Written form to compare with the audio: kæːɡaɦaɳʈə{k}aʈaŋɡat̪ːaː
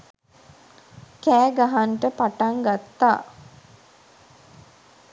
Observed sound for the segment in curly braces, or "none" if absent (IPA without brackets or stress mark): p